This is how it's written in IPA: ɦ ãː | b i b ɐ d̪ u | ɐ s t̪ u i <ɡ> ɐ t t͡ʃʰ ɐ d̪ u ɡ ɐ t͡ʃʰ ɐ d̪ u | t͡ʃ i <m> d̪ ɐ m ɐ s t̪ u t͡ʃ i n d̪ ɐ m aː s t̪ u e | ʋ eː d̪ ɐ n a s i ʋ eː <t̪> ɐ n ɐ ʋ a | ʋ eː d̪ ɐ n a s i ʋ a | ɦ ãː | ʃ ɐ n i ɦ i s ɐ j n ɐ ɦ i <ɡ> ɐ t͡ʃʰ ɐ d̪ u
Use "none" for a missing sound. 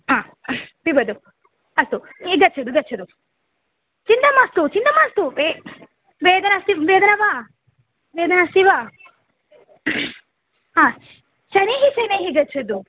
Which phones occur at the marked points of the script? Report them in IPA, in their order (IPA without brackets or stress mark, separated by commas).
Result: ɡ, n, d̪, ɡ